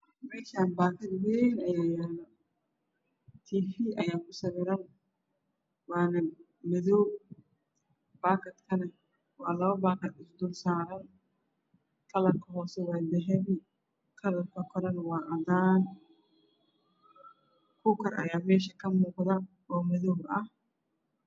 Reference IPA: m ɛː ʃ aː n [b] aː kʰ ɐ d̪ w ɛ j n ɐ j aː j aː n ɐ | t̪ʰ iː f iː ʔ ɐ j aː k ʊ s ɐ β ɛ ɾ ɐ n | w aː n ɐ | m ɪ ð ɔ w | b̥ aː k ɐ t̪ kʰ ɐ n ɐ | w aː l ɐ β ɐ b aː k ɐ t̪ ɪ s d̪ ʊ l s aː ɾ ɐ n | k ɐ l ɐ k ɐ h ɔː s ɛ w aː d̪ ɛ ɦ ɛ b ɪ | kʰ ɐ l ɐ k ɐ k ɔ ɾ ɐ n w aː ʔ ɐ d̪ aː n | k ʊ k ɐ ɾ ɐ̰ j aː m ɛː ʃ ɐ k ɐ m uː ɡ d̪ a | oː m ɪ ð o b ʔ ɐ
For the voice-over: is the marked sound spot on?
yes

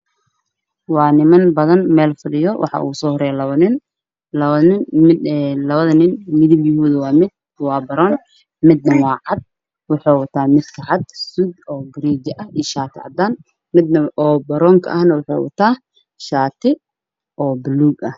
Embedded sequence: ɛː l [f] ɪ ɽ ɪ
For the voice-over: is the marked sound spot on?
yes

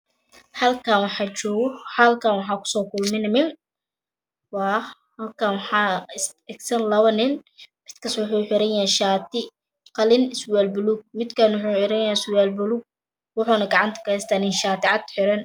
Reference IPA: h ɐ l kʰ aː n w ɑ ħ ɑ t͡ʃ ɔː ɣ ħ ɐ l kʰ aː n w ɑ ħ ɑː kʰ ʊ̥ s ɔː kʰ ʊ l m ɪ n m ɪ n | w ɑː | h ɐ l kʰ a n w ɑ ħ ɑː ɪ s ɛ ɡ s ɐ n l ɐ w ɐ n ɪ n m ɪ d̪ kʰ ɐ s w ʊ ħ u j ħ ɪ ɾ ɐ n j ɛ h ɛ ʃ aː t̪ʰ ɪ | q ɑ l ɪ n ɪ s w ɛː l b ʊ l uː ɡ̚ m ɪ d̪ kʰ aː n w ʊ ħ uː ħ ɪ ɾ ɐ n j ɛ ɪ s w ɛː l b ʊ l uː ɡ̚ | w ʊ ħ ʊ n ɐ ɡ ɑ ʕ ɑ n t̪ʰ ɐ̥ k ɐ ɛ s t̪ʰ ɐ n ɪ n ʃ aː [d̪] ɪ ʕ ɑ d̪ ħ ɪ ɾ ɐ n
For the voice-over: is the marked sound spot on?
no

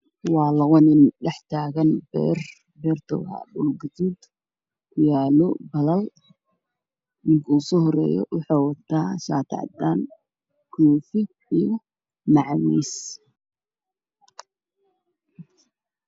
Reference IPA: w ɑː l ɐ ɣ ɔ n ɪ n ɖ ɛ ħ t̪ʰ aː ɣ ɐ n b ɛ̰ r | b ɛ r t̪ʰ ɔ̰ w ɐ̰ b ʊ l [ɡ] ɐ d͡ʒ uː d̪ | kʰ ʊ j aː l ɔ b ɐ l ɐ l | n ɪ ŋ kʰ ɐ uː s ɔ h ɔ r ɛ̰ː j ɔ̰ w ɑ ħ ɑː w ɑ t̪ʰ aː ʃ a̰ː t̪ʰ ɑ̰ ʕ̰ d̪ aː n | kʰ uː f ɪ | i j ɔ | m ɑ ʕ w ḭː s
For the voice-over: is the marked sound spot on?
yes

